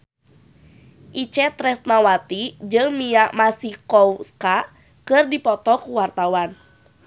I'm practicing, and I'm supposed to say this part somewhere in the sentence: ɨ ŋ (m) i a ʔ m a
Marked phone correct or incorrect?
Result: correct